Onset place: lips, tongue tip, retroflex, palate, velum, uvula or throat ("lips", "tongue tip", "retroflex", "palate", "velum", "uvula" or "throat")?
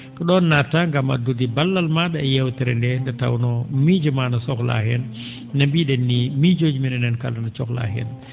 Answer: velum